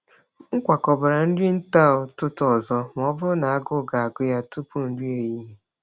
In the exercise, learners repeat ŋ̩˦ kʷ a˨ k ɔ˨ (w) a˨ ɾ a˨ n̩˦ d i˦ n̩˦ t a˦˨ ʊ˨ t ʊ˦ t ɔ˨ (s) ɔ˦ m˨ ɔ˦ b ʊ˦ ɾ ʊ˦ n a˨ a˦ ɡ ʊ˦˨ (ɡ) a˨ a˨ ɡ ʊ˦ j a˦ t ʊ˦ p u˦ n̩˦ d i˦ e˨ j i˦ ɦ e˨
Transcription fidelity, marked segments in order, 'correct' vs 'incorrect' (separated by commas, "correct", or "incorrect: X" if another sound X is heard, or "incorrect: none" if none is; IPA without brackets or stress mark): incorrect: b, incorrect: z, correct